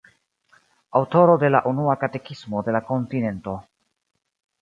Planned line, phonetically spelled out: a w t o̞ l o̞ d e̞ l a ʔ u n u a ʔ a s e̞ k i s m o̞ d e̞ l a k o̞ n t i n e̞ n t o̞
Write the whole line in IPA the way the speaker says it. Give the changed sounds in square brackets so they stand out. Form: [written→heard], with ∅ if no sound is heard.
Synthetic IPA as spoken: a w t o̞ [l→ɾ] o̞ d e̞ l a ʔ u n u a [ʔ→k] a [s→t] e̞ k i s m o̞ d e̞ l a k o̞ n t i n e̞ n t o̞